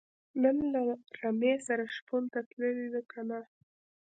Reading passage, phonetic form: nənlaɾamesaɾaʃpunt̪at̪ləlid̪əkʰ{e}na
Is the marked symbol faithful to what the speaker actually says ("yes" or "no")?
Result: no